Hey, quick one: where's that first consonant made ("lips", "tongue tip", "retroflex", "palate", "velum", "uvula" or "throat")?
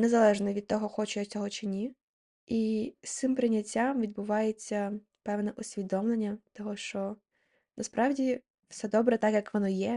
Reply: tongue tip